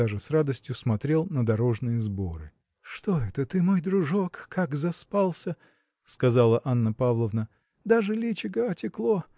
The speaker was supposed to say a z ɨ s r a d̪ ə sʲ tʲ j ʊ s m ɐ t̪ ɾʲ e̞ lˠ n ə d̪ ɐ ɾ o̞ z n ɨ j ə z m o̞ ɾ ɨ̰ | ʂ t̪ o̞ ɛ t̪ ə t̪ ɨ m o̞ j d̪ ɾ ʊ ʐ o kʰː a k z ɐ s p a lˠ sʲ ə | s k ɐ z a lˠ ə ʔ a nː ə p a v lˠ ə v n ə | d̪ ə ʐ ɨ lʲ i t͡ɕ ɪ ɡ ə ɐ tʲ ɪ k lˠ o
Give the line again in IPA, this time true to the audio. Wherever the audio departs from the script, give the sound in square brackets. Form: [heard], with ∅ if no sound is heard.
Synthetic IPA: a [ʐ] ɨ s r a d̪ ə sʲ tʲ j ʊ s m ɐ t̪ ɾʲ e̞ lˠ n ə d̪ ɐ ɾ o̞ [ʐ] n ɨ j ə z [b] o̞ ɾ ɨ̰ | ʂ t̪ o̞ ɛ t̪ ə t̪ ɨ m o̞ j d̪ ɾ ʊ ʐ o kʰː a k z ɐ s p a lˠ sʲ ə | s k ɐ z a lˠ ə ʔ a nː ə p a v lˠ ə v n ə | d̪ [a] ʐ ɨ lʲ i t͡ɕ ɪ ɡ ə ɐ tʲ ɪ k lˠ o

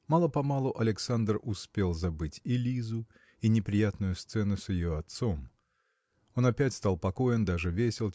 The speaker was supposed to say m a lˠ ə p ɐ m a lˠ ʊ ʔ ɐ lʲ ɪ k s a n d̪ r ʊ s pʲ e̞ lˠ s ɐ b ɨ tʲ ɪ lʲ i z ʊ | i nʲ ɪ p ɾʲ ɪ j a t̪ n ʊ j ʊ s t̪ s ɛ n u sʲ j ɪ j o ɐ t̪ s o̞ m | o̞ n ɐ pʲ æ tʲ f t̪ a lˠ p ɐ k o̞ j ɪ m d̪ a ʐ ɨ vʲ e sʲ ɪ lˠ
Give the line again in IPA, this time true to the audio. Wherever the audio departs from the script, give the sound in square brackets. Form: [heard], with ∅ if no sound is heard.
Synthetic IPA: m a lˠ ə p ɐ m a lˠ ʊ ʔ ɐ lʲ ɪ k s a n d̪ r ʊ s pʲ e̞ lˠ [z] ɐ b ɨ tʲ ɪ lʲ i z ʊ | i nʲ ɪ p ɾʲ ɪ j a t̪ n ʊ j ʊ s t̪ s ɛ n [ʊ] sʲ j ɪ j o ɐ t̪ s o̞ m | o̞ n ɐ pʲ æ tʲ [s] t̪ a lˠ p ɐ k o̞ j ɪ [n] d̪ a ʐ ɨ vʲ e sʲ ɪ lˠ

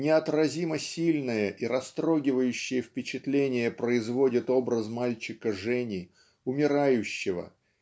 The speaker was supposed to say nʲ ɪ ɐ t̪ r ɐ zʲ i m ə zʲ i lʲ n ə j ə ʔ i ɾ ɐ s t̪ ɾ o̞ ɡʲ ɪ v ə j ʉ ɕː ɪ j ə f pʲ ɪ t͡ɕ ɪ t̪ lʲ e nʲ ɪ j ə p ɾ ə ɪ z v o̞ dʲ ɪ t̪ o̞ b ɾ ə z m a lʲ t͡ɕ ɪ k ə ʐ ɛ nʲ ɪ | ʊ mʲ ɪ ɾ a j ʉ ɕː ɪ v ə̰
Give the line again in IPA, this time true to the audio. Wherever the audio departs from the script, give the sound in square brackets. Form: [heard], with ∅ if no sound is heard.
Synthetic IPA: nʲ ɪ ɐ t̪ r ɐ zʲ i m ə [sʲ] i lʲ n ə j ə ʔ i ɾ ɐ s t̪ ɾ o̞ ɡʲ ɪ v ə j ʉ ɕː ɪ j ə f pʲ ɪ t͡ɕ ɪ t̪ lʲ e nʲ ɪ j ə p ɾ ə ɪ z v o̞ dʲ ɪ t̪ o̞ b ɾ ə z m a lʲ t͡ɕ ɪ k ə ʐ ɛ nʲ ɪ | ʊ mʲ ɪ ɾ a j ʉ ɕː ɪ v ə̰

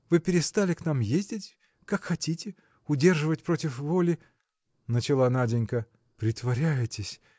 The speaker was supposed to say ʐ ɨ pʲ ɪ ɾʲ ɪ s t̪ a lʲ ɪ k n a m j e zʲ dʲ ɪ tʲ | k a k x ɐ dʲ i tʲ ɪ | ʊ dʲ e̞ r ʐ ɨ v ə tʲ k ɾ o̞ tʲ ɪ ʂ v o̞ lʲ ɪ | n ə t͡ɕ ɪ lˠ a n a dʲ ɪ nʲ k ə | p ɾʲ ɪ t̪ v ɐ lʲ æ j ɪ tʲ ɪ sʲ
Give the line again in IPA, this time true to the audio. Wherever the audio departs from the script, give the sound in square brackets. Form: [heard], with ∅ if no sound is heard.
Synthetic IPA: [v] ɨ pʲ ɪ ɾʲ ɪ s t̪ a lʲ ɪ k n a m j e zʲ dʲ ɪ tʲ | k a k x ɐ [tʲ] i tʲ ɪ | ʊ dʲ e̞ r ʐ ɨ v ə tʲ [p] ɾ o̞ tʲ ɪ [f] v o̞ lʲ ɪ | n ə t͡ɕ ɪ lˠ a n a dʲ ɪ nʲ k ə | p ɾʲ ɪ t̪ v ɐ [ɾʲ] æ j ɪ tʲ ɪ sʲ

